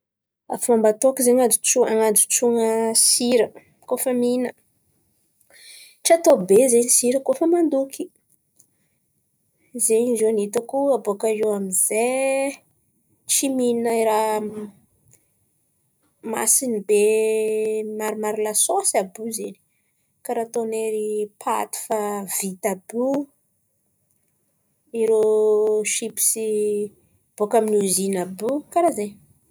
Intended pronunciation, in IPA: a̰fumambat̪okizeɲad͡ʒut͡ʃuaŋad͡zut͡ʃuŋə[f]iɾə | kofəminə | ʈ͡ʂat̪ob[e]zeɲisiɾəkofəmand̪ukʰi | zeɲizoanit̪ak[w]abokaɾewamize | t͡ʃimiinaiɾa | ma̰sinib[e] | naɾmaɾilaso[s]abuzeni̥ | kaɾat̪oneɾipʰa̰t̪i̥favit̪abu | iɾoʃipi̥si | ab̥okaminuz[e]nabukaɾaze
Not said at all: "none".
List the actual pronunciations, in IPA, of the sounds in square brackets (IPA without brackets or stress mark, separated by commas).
s, e, u, e, s, i